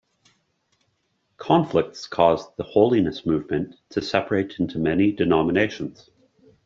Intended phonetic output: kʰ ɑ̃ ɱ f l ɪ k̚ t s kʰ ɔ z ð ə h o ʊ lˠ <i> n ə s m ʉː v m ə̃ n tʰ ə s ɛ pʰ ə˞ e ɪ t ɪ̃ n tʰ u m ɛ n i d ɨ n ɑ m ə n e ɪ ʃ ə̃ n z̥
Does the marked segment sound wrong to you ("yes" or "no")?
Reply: no